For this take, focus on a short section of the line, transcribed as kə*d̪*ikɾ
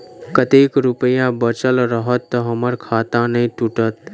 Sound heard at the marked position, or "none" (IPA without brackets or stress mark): t̪